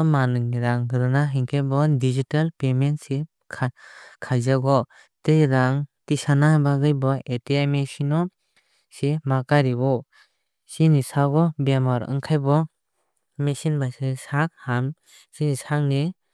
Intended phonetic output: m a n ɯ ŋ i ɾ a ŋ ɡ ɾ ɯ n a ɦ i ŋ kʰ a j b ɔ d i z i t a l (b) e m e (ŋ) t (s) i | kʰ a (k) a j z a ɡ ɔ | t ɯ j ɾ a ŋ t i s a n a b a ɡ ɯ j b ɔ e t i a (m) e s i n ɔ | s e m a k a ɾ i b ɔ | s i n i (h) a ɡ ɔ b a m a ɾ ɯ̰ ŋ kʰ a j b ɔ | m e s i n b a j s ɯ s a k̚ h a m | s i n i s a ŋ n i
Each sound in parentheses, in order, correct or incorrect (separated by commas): incorrect, incorrect, correct, incorrect, correct, incorrect